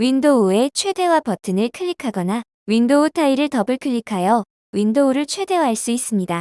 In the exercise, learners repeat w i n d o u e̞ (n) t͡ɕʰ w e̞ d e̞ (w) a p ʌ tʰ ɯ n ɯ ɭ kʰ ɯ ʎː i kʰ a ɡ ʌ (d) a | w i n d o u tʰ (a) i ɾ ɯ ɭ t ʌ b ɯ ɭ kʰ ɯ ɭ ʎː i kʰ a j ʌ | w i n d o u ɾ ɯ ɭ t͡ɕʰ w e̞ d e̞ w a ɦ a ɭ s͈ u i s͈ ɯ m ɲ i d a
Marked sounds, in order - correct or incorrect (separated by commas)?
incorrect, correct, incorrect, correct